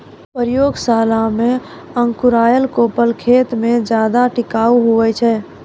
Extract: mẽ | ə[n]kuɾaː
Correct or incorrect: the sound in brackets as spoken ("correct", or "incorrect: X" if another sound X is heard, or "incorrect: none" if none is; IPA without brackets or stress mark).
incorrect: ŋ